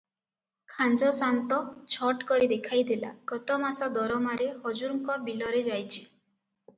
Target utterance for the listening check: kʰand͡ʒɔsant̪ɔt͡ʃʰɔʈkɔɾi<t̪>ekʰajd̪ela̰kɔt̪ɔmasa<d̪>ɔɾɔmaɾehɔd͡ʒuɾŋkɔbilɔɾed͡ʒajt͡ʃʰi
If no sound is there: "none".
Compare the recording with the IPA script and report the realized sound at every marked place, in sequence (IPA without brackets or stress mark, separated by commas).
d̪, d̪